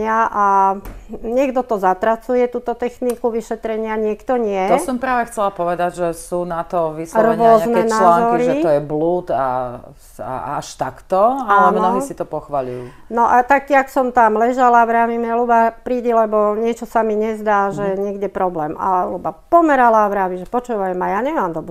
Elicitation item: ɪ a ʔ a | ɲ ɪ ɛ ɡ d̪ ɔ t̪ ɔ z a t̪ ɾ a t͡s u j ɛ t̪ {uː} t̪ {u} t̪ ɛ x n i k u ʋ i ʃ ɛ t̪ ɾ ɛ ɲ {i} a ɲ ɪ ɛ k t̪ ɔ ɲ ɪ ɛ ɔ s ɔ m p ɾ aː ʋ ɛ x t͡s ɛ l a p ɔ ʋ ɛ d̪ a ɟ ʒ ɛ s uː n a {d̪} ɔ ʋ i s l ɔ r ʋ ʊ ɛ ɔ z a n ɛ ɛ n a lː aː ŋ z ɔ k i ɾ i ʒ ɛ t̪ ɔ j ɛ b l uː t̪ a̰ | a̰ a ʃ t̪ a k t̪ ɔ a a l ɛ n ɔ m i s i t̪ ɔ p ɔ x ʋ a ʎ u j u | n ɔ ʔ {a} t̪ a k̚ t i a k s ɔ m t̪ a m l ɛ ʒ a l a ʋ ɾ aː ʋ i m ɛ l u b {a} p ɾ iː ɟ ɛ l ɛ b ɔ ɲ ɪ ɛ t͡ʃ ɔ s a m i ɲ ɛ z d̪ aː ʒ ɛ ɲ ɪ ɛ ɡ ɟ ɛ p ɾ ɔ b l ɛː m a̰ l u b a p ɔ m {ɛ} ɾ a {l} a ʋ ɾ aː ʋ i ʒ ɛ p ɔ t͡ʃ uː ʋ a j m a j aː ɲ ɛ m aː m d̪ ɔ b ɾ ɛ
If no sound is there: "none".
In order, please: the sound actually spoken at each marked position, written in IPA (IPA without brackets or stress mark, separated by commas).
uː, ɔ, ɪ, t̪, a, a, ɛ, l